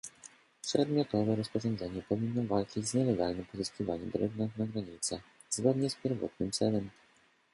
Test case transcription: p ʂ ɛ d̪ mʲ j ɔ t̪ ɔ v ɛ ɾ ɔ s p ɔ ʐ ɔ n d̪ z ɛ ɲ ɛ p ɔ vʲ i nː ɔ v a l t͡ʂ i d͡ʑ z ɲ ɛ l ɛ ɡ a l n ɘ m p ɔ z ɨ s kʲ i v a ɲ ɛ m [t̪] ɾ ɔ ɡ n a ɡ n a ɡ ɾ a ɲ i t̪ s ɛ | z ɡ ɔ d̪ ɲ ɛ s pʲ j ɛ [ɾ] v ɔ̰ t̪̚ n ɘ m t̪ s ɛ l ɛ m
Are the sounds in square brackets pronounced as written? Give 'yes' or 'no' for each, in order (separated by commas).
no, yes